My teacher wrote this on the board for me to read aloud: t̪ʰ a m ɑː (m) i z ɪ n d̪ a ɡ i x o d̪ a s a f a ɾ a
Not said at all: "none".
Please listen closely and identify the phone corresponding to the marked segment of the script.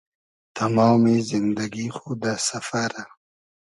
m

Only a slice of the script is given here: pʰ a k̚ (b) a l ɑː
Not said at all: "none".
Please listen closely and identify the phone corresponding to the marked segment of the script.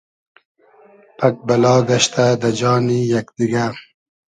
b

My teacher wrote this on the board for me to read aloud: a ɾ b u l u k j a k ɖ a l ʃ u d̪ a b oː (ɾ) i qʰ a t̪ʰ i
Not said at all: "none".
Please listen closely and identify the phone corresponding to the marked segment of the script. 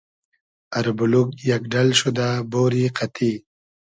ɾ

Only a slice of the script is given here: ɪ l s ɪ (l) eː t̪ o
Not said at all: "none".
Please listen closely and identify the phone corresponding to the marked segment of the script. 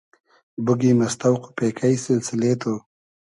l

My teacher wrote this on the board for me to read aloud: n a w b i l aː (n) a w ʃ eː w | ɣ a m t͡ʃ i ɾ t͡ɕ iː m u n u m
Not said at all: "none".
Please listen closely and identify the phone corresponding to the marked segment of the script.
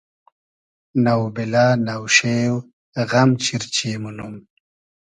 n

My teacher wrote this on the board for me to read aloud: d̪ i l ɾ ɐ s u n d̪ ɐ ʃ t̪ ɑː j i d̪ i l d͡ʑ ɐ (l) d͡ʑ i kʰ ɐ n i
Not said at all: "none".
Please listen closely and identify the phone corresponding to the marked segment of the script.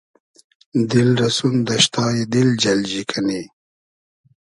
l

